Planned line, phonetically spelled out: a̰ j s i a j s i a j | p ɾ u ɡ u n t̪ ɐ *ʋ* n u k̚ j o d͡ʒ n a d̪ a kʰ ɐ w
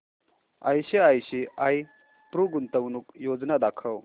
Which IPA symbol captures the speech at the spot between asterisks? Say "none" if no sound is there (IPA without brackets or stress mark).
w